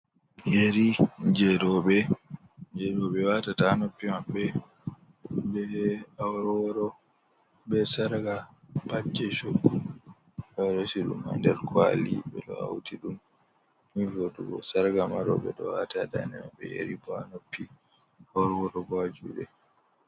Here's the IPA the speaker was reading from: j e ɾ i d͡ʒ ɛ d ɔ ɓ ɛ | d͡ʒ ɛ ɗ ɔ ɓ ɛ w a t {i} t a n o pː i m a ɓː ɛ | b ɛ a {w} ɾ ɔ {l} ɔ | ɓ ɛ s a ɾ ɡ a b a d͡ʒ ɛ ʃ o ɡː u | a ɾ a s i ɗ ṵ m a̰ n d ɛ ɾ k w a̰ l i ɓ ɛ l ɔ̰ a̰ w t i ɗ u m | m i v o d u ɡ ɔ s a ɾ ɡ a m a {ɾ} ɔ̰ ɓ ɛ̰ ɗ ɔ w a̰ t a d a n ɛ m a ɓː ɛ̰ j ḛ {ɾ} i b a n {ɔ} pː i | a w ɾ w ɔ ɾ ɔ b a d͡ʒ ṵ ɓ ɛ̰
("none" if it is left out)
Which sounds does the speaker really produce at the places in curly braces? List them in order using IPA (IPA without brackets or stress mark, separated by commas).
a, w, ɾ, ɾ, ɾ, o